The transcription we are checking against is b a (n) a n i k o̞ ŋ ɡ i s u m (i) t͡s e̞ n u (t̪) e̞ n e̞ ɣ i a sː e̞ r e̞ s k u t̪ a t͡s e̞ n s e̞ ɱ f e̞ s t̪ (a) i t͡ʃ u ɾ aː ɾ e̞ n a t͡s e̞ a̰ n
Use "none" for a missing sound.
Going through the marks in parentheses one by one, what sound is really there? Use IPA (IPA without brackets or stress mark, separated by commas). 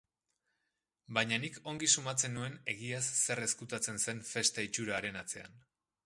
ɲ, a, none, a